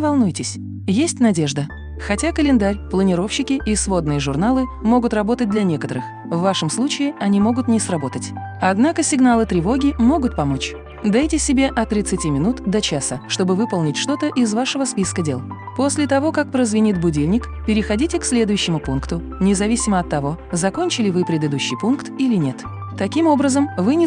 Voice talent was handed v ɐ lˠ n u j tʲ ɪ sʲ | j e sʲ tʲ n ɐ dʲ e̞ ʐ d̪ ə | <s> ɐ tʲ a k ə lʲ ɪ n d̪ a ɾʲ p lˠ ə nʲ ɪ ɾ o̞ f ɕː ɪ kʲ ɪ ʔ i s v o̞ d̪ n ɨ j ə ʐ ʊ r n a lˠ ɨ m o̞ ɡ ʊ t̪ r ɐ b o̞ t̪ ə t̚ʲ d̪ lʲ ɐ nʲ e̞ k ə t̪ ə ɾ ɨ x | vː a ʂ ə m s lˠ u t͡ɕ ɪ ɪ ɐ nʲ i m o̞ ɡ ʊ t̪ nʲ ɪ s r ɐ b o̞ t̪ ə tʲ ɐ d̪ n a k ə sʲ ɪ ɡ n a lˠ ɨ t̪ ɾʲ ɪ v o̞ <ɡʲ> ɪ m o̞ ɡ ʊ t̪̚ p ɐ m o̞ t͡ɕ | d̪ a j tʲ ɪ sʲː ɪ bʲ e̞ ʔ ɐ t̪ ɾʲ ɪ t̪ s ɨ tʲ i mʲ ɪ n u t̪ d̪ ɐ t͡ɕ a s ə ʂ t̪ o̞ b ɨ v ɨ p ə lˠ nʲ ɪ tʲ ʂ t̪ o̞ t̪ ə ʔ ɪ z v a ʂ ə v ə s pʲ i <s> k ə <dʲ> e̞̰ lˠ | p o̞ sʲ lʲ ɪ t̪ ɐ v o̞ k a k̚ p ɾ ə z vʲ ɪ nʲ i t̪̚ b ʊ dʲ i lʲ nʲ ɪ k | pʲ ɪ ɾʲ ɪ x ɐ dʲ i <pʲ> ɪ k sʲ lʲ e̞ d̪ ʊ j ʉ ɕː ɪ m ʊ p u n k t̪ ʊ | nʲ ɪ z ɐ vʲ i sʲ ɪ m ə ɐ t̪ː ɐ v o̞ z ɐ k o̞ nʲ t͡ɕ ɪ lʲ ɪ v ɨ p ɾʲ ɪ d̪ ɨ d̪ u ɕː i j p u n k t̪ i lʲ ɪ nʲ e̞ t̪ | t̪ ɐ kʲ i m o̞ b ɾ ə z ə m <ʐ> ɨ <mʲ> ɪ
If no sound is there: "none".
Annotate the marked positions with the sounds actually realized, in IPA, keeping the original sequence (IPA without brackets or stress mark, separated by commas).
x, ɡʲ, s, dʲ, tʲ, v, nʲ